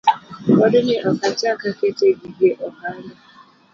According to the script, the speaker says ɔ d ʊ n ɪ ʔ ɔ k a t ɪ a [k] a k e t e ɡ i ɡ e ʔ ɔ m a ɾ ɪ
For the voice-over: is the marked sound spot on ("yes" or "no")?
yes